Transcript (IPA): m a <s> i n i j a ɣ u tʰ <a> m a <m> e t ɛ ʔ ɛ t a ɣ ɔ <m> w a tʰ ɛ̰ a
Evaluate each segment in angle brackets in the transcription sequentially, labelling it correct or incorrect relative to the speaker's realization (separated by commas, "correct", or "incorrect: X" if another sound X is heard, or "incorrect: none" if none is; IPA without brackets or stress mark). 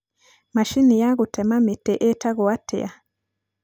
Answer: incorrect: ʃ, incorrect: ɛ, correct, incorrect: none